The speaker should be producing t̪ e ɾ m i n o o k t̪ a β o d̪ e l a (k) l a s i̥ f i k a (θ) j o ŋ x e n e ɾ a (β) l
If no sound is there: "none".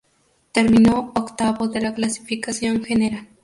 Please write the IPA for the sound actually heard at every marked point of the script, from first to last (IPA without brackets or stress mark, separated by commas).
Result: k, s, none